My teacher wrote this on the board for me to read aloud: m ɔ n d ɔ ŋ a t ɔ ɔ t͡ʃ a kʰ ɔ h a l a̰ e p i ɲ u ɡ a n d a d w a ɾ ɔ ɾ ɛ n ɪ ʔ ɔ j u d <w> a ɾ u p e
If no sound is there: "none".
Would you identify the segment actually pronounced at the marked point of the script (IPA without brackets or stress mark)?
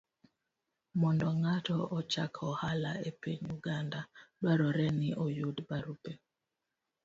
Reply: b